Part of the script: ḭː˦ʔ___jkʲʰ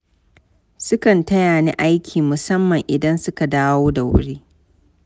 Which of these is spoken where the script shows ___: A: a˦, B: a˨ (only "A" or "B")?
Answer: A